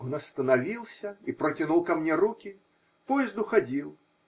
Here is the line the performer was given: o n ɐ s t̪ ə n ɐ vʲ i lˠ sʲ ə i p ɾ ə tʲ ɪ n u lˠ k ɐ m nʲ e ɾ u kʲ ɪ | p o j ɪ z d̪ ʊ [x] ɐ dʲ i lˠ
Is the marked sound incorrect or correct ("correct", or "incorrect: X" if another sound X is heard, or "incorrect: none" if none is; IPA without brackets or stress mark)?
correct